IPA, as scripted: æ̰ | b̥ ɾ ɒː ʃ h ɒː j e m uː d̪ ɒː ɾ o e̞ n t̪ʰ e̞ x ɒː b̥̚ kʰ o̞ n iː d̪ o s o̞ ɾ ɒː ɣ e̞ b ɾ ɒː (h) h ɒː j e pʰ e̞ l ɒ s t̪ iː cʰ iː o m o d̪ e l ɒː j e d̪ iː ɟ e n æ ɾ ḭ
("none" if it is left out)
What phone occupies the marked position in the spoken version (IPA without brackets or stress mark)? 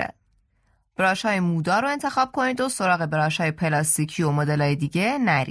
ʃ